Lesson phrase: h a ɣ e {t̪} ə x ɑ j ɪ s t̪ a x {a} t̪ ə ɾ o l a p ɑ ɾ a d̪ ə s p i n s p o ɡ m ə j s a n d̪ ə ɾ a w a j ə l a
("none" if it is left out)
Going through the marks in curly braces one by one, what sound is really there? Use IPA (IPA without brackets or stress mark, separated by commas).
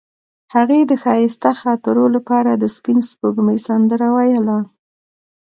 d̪, ɑ